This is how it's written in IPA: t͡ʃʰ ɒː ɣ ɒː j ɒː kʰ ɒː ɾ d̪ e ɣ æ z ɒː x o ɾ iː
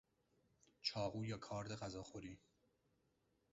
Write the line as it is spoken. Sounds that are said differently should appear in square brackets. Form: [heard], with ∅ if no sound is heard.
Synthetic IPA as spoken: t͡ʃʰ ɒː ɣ [uː] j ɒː kʰ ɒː ɾ d̪ e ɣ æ z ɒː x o ɾ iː